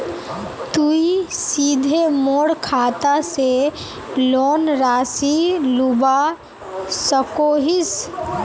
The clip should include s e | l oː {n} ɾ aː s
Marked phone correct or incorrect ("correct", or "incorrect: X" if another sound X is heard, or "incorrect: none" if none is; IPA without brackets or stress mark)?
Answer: correct